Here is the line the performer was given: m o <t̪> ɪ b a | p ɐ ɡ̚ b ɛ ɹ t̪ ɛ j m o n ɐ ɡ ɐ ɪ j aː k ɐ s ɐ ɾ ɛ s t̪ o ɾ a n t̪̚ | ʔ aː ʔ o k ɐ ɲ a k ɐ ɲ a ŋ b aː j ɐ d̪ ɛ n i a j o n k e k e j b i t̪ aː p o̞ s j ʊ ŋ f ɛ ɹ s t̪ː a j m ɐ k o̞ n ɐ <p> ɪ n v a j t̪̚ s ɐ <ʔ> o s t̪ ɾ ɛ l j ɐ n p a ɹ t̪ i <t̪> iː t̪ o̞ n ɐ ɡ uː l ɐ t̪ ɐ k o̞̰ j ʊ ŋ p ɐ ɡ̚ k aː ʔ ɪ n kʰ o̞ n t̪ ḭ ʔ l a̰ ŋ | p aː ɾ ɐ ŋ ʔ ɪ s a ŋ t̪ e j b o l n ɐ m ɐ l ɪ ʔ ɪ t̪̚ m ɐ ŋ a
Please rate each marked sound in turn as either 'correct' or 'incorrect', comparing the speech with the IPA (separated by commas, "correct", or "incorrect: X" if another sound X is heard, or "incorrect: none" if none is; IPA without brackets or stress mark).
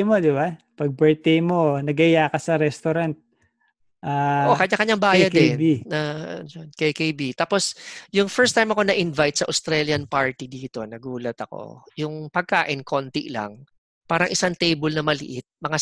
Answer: incorrect: d̪, incorrect: ʔ, correct, incorrect: d̪